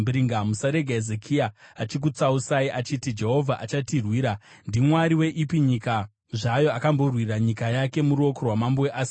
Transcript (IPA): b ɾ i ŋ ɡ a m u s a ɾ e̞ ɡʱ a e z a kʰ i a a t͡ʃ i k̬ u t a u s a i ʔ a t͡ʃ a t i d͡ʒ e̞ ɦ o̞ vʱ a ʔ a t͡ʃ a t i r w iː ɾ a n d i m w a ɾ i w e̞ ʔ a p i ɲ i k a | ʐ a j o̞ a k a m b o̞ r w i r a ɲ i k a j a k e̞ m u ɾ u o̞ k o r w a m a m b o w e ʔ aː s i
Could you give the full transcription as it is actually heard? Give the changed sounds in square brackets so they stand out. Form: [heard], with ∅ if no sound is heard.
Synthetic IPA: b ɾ i ŋ ɡ a m u s a ɾ e̞ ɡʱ a e z [e] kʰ i a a t͡ʃ i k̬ u [t͡s] a u s a i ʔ a t͡ʃ [i] t i d͡ʒ e̞ ɦ o̞ vʱ a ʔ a t͡ʃ a t i r w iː ɾ a n d i m w a ɾ i w e̞ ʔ [i] p i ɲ i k a | ʐ a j o̞ a k a m b o̞ r w i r a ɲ i k a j a k e̞ m u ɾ u o̞ k o r w a m a m b o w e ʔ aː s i